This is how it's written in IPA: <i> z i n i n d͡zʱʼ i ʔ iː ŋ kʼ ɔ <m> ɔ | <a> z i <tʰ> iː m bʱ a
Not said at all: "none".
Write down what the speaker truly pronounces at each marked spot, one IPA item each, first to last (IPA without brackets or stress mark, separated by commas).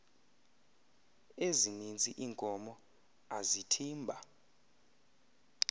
e, m, a, tʰ